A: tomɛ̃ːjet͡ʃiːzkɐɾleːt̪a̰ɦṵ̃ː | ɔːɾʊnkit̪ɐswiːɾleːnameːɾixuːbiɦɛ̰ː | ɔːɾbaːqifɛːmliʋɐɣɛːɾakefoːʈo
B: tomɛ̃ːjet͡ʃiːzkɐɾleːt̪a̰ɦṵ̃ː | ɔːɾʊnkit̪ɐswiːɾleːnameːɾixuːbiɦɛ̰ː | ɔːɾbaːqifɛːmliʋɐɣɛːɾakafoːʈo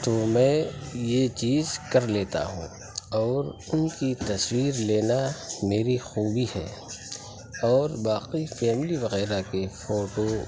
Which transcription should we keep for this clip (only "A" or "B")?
A